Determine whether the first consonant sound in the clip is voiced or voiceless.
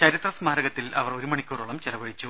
voiceless